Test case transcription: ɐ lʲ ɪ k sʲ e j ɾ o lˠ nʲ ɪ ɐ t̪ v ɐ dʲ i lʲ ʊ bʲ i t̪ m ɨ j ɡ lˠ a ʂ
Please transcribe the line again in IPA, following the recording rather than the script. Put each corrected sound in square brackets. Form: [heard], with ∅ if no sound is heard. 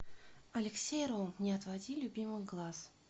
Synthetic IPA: ɐ lʲ ɪ k sʲ e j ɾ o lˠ nʲ ɪ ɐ t̪ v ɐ dʲ i lʲ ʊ bʲ i [∅] m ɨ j ɡ lˠ a [s]